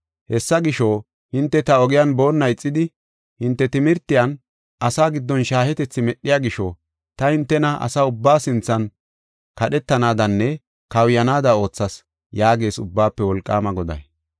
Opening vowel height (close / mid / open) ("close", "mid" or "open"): mid